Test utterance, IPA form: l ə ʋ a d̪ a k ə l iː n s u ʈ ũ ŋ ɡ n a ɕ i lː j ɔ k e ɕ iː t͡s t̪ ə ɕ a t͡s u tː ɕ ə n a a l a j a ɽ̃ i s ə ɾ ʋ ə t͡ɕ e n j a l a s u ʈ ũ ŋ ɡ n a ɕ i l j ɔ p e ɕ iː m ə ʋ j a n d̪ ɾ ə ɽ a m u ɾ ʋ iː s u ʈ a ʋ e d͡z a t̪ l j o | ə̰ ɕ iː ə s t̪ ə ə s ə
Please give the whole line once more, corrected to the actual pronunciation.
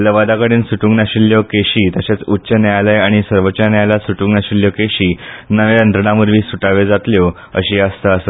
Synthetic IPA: l ə ʋ a d̪ a k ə ɽ iː n s u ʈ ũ ŋ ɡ n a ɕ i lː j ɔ k e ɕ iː t̪ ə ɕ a t͡s u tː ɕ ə n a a l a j a ɽ̃ i s ə ɾ ʋ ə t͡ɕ a n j a l a s u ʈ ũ ŋ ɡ n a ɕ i l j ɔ k e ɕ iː n ə ʋ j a n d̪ ɾ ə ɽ a m u ɾ ʋ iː s u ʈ a ʋ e d͡z a t̪ l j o | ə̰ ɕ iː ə s t̪ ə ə s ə